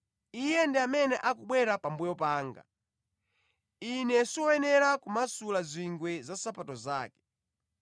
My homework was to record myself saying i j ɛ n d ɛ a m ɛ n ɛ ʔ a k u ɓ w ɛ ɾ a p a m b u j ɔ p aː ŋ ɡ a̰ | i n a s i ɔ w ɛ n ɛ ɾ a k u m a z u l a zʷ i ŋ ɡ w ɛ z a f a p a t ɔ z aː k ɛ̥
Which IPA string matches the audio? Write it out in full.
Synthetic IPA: i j ɛ n d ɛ a m ɛ n ɛ ʔ a k u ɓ w ɛ ɾ a p a m b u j ɔ p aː ŋ ɡ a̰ | i n ɛ s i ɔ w ɛ n ɛ ɾ a k u m a s u l a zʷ i ŋ ɡ w ɛ z a s a p a t ɔ z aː k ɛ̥